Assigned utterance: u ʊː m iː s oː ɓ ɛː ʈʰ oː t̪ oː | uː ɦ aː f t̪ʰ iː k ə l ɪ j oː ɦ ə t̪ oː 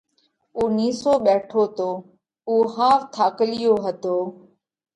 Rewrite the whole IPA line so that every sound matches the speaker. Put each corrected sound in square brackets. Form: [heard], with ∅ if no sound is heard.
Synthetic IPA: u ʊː [n] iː s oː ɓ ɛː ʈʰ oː t̪ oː | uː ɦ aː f t̪ʰ [aː] k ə l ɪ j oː ɦ ə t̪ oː

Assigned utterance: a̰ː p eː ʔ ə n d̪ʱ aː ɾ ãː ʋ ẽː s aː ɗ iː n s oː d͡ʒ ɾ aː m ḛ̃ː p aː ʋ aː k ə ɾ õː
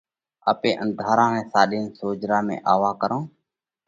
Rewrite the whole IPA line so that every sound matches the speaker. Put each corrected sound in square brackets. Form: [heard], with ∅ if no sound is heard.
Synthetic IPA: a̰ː p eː ʔ ə n d̪ʱ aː ɾ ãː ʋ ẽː s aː ɗ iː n s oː d͡ʒ ɾ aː m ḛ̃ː [ʔ] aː ʋ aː k ə ɾ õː

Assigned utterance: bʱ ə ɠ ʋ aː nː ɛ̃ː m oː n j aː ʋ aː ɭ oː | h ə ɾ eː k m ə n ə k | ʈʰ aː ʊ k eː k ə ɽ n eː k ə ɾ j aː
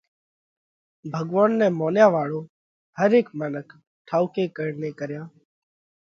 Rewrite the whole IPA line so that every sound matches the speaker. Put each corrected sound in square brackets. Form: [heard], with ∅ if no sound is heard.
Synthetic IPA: bʱ ə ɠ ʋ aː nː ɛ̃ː m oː n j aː ʋ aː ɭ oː | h ə ɾ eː k m ə n ə k | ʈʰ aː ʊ k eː k ə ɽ n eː k ə ɾ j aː

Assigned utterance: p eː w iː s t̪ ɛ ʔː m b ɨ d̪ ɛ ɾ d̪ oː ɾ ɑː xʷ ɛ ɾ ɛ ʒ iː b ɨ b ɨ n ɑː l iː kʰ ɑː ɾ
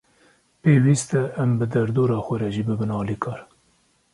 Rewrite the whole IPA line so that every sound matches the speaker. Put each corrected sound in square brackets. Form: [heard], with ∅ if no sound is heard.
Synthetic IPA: p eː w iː s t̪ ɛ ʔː m b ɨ d̪ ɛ ɾ d̪ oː ɾ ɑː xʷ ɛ ɾ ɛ ʒ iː b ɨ b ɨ n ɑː l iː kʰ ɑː ɾ

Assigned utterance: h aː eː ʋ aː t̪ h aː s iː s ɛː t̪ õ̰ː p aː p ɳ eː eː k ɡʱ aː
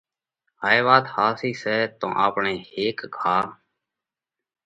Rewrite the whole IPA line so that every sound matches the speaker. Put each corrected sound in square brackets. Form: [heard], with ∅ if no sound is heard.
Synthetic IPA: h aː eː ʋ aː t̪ h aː s iː s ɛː t̪ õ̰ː [ʔ] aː p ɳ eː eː k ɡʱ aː

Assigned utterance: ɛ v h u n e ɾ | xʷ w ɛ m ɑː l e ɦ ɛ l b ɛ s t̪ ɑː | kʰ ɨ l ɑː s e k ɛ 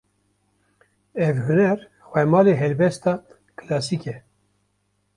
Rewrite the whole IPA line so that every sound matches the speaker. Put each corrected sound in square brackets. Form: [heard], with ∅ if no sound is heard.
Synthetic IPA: ɛ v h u n [ɛ] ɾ | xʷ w ɛ m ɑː l e ɦ ɛ l b ɛ s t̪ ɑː | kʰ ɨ l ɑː s [i] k ɛ

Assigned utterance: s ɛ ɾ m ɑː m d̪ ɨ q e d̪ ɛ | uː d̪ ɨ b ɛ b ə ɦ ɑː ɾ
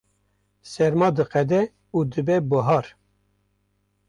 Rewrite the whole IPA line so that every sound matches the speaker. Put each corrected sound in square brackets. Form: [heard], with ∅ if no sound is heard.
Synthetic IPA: s ɛ ɾ m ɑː [∅] d̪ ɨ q [ɛ] d̪ ɛ | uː d̪ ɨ b ɛ b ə ɦ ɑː ɾ

